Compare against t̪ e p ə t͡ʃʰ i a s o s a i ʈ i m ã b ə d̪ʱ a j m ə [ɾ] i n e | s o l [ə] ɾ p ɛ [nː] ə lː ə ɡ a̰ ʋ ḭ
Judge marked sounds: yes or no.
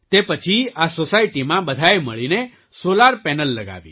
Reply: no, no, no

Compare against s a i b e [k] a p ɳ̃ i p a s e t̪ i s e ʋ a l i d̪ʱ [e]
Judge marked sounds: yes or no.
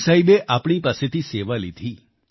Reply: no, no

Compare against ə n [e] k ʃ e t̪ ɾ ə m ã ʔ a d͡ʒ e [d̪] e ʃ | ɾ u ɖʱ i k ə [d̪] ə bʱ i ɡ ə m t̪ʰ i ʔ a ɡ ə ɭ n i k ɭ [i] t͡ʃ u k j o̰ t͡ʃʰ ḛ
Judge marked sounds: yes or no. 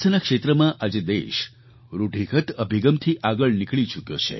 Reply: no, yes, no, yes

